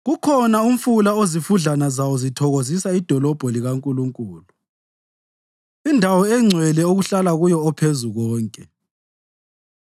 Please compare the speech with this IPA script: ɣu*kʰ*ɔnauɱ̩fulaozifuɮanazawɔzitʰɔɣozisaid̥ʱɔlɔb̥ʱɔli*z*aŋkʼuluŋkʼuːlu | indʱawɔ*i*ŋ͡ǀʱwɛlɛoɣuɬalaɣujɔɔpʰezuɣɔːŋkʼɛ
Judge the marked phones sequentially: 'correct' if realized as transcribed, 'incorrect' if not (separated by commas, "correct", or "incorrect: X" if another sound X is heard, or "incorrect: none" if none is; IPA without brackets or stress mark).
correct, incorrect: ɣ, incorrect: ɛ